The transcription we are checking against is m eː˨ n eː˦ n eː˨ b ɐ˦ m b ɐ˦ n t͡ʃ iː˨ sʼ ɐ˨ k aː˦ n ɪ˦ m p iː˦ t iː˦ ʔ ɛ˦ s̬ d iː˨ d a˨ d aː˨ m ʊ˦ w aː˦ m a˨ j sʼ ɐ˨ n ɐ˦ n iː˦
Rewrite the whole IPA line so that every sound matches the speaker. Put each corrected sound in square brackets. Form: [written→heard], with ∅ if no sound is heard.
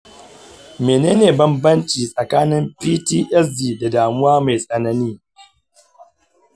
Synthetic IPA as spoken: m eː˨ n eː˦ n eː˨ b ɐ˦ m b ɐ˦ n t͡ʃ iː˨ sʼ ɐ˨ k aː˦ n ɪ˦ m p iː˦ t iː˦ ʔ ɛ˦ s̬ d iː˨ d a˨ d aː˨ m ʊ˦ w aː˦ m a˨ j sʼ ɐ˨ n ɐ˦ n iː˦